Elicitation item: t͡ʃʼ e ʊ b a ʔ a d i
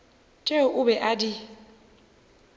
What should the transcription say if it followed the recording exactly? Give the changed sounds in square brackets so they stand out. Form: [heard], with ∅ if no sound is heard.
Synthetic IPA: t͡ʃʼ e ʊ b [ɛ] ʔ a d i